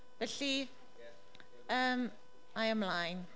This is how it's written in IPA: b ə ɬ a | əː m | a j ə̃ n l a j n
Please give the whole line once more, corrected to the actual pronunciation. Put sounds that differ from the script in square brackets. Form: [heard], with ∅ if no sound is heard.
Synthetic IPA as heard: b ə ɬ [i] | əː m | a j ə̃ [m] l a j n